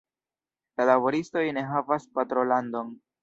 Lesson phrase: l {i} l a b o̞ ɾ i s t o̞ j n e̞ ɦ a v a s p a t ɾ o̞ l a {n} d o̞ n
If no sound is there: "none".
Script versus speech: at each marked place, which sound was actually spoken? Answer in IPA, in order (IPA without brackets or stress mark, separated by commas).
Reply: a, n